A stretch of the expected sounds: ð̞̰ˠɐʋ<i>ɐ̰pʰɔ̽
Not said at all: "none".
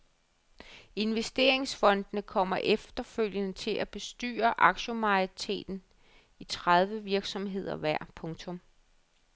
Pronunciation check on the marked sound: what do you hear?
æ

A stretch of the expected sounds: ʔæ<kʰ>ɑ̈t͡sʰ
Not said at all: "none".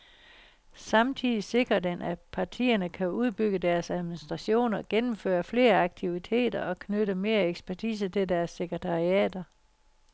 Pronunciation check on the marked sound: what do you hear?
pʰ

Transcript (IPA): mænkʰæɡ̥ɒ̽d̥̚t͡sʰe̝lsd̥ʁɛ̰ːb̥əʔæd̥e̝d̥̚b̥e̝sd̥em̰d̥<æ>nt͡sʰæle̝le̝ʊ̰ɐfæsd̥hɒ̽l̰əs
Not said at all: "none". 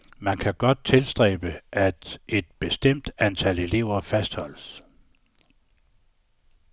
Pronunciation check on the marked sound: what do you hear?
æ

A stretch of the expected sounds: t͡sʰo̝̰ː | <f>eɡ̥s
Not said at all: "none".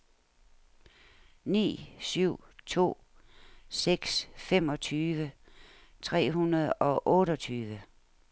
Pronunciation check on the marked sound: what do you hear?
s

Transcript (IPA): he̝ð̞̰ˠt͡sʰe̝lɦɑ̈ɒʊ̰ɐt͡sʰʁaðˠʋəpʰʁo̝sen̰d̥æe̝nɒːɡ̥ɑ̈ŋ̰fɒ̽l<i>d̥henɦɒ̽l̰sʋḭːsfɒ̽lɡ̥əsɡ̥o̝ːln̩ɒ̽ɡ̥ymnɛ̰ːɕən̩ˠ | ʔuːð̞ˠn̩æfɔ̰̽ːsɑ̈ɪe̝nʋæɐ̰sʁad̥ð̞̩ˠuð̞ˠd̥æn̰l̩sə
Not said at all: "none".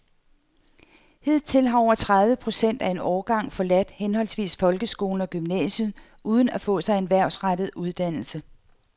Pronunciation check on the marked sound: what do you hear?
æ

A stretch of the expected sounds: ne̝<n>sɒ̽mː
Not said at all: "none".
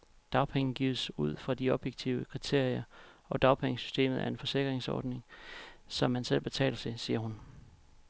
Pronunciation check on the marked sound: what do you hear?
ŋ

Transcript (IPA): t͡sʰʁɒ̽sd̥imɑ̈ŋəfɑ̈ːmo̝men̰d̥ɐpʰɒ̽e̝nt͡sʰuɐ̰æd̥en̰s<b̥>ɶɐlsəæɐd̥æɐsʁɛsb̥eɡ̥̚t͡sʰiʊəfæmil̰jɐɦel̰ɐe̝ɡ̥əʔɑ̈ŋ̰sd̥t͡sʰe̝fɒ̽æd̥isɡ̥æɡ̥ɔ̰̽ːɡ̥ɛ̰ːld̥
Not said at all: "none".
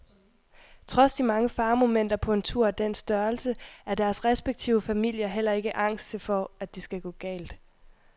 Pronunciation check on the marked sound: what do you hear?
d̥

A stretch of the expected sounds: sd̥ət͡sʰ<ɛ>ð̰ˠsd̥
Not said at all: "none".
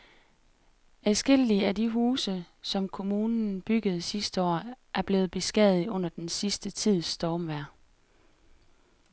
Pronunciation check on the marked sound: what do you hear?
i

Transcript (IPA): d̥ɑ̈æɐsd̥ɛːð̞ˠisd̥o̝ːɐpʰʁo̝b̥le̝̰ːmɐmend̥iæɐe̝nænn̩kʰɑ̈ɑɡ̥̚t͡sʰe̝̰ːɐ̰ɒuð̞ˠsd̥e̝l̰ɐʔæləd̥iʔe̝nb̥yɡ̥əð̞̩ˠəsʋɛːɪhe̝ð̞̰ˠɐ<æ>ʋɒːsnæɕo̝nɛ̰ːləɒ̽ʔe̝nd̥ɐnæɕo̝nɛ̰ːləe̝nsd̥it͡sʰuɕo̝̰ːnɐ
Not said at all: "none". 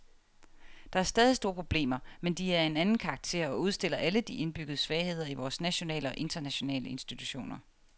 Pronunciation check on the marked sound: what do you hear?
i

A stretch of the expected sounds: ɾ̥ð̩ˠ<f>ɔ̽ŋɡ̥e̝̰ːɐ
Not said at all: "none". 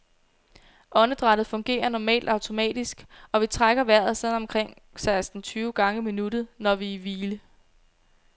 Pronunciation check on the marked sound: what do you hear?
f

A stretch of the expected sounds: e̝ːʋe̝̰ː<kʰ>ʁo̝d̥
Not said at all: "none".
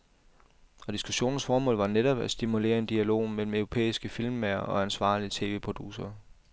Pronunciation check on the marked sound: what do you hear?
pʰ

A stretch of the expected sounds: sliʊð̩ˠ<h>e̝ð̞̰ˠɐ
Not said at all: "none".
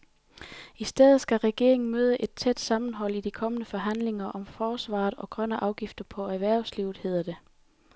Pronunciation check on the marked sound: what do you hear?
h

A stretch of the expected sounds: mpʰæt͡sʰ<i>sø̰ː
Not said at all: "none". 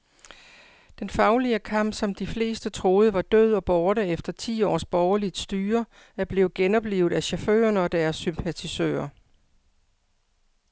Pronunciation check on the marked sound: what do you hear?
i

